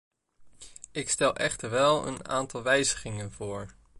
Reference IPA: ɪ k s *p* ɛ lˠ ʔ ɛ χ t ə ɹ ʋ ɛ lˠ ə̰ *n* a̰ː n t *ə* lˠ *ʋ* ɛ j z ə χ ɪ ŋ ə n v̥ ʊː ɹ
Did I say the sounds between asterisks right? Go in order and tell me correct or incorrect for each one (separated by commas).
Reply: incorrect, correct, incorrect, correct